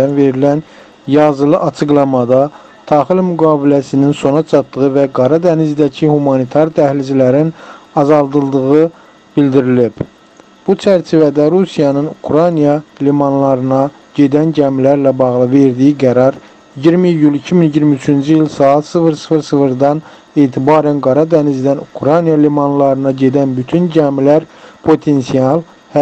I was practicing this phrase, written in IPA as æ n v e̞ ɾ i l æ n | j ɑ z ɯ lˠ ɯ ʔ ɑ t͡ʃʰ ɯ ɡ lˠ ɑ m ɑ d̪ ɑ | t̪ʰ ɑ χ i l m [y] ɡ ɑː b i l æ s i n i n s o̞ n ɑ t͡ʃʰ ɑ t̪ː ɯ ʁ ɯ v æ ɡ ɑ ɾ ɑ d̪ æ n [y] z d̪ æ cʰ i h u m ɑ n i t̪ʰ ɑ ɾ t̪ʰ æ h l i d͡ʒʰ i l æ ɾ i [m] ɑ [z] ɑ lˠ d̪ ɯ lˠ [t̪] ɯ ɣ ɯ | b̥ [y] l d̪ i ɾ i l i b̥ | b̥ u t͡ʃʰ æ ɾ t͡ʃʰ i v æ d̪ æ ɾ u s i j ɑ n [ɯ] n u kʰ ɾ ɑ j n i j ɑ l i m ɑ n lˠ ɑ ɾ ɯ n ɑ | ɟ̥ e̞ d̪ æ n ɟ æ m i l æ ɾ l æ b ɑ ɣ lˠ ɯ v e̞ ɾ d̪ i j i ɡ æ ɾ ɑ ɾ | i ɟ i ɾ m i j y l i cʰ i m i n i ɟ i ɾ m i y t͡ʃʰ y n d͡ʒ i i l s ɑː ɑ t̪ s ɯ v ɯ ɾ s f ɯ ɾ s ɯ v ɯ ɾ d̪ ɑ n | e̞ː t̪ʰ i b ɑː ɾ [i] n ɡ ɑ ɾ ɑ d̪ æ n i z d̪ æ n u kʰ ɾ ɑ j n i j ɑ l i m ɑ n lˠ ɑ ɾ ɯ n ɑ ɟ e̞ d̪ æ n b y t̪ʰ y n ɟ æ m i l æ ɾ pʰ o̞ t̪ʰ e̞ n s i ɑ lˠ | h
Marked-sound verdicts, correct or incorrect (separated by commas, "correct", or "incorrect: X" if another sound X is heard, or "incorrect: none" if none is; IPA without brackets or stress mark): correct, incorrect: i, incorrect: n, correct, incorrect: d̪, incorrect: i, correct, incorrect: æ